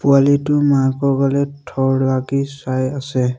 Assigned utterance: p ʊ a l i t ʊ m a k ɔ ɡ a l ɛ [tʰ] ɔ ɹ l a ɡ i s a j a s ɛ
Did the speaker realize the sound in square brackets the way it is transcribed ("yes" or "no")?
yes